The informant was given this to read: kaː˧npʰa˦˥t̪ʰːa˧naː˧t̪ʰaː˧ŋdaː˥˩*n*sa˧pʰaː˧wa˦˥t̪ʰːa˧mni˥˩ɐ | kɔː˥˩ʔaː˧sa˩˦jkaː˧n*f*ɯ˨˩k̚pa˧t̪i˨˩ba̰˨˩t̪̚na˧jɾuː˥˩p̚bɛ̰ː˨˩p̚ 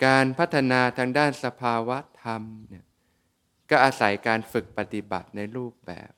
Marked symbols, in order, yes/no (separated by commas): yes, yes